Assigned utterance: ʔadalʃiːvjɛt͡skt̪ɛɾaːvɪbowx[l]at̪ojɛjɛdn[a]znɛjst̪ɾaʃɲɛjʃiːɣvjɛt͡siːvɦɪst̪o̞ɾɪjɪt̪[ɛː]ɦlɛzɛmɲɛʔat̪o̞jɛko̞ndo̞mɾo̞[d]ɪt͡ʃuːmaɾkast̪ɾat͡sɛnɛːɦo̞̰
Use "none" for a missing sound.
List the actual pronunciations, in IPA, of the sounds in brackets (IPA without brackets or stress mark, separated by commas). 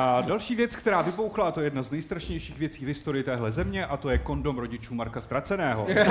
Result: l, a, ɛː, ɟ